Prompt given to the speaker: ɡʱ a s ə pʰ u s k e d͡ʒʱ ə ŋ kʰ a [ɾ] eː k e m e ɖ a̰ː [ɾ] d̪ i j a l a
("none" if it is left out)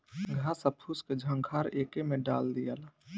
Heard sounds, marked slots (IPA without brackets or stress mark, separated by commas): ɾ, l